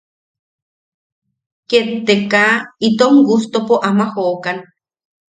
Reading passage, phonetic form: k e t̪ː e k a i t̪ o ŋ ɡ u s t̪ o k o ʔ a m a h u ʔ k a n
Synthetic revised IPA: k e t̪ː e k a i t̪ o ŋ ɡ u s t̪ o p o ʔ a m a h o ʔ k a n